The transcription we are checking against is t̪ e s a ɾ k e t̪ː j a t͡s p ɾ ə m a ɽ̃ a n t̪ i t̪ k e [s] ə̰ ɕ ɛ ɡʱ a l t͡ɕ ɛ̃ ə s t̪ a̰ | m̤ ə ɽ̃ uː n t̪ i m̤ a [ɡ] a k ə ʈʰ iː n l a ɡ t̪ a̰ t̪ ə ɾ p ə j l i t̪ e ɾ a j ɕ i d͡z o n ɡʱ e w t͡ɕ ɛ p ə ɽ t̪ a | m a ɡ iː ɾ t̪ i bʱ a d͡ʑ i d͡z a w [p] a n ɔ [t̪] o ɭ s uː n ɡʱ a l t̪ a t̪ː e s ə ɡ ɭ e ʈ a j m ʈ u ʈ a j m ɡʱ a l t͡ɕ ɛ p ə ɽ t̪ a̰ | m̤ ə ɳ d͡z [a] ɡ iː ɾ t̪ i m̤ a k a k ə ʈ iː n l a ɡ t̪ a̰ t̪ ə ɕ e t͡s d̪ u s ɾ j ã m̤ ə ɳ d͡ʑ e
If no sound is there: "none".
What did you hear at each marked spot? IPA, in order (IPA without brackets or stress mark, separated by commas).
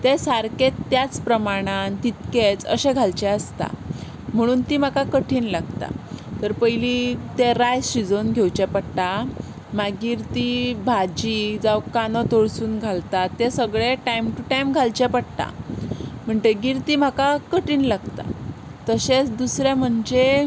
t͡s, k, k, t̪, e